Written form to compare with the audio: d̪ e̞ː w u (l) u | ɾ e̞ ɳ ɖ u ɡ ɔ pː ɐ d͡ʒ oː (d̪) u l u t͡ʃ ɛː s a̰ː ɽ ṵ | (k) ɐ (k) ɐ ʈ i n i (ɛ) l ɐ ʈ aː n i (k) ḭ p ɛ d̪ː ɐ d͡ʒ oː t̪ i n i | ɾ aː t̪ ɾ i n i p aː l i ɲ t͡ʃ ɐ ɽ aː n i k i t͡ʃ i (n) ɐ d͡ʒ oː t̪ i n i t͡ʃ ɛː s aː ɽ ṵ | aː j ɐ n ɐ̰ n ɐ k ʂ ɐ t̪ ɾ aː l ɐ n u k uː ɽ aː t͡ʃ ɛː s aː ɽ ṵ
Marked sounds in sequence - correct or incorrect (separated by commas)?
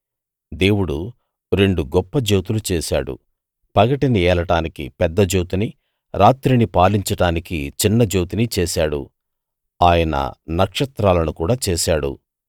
incorrect, incorrect, incorrect, incorrect, incorrect, correct, incorrect